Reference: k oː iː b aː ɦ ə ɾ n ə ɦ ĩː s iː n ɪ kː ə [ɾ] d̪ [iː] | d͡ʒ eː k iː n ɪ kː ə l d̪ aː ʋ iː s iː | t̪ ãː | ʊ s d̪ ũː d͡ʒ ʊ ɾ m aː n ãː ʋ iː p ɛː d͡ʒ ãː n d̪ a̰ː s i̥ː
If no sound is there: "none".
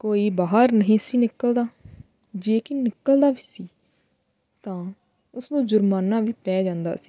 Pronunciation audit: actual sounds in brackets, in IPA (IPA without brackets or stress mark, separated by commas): l, aː